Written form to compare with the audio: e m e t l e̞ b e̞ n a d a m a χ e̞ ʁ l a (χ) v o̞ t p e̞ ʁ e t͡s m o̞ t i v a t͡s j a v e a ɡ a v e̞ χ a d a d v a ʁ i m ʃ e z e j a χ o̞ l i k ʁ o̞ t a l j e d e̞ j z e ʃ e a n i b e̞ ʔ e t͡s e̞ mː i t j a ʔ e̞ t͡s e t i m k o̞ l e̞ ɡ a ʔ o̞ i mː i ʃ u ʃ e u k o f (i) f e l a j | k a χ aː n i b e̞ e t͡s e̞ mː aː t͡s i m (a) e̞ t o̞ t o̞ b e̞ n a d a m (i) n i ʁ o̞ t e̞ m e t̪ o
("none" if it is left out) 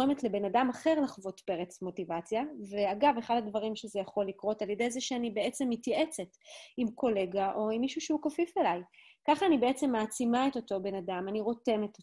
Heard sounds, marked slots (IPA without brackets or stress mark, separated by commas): χ, i, a, a